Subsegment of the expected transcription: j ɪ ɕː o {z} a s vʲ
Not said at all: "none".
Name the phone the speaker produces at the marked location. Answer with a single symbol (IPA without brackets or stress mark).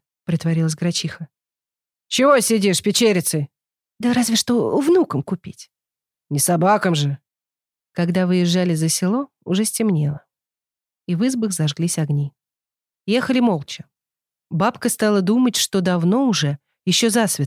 z